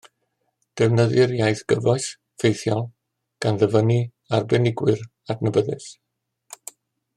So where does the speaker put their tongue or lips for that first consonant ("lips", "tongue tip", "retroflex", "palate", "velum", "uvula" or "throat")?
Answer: tongue tip